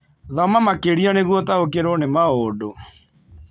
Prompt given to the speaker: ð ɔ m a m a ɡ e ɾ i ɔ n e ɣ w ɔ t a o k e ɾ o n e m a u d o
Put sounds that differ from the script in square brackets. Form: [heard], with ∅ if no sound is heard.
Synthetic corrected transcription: ð ɔ m a m a [k] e ɾ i ɔ n e ɣ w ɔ t a o k e ɾ o n e m a [o] d o